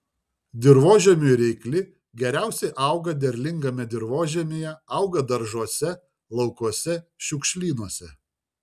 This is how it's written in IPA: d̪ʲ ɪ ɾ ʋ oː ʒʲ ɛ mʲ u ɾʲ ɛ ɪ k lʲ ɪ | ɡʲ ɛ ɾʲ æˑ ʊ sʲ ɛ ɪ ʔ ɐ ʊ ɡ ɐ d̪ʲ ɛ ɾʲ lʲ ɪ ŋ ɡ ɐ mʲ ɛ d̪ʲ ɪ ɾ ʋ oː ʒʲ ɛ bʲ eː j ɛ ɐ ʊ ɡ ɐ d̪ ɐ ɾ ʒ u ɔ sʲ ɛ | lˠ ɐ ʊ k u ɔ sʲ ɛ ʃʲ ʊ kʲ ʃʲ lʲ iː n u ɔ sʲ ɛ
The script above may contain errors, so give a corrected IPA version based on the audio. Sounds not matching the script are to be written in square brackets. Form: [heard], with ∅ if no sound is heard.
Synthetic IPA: d̪ʲ ɪ ɾ ʋ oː ʒʲ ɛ mʲ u ɾʲ ɛ ɪ k lʲ ɪ | ɡʲ ɛ ɾʲ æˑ ʊ sʲ ɛ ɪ ʔ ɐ ʊ ɡ ɐ d̪ʲ ɛ ɾʲ lʲ ɪ ŋ ɡ ɐ mʲ ɛ d̪ʲ ɪ ɾ ʋ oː ʒʲ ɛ [mʲ] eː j ɛ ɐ ʊ ɡ ɐ d̪ ɐ ɾ ʒ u ɔ sʲ ɛ | lˠ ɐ ʊ k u ɔ sʲ ɛ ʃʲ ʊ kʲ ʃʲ lʲ iː n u ɔ sʲ ɛ